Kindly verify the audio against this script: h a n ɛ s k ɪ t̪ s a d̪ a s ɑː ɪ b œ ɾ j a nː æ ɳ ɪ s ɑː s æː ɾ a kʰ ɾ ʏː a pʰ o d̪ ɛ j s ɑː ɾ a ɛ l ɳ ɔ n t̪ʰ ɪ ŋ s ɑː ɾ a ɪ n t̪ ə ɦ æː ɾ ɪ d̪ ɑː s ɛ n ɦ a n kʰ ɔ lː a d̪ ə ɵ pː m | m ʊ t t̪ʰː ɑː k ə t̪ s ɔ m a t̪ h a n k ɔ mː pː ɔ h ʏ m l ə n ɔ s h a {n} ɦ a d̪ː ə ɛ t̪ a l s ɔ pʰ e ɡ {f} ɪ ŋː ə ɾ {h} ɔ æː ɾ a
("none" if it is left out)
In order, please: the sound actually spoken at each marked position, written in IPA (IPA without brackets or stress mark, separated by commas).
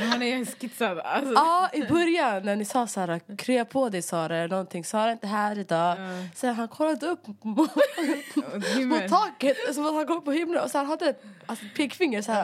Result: n, f, s